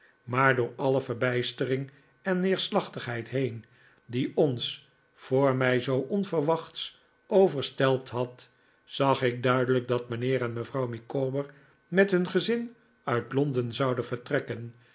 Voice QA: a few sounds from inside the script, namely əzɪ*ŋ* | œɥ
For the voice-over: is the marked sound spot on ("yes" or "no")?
no